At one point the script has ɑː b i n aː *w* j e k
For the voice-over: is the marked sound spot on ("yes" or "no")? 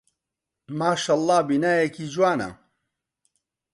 no